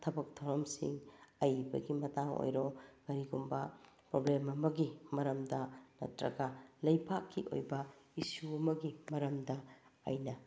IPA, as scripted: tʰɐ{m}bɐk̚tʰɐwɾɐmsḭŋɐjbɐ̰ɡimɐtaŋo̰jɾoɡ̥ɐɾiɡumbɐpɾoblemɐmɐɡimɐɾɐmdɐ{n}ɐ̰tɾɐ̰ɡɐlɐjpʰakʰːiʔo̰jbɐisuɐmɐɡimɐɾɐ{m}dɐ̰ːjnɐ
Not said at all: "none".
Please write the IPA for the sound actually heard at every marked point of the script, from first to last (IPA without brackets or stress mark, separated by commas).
none, n, m